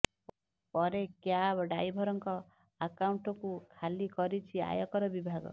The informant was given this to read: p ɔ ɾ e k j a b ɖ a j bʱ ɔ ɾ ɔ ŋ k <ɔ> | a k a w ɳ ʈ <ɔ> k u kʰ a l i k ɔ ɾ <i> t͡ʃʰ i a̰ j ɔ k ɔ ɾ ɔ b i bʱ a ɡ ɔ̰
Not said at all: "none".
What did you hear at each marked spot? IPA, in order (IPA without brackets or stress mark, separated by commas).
ɔ, ɔ, i